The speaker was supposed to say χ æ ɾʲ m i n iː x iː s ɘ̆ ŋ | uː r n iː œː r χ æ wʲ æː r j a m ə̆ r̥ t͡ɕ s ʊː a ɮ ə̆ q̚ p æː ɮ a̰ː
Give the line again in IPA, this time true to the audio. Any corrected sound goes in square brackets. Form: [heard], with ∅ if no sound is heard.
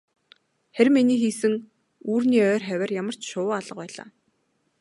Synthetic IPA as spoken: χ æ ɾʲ m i n iː x iː s ɘ̆ ŋ | uː r n iː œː r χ æ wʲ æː r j a m ə̆ r̥ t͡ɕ [ʃ] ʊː a ɮ ə̆ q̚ p æː ɮ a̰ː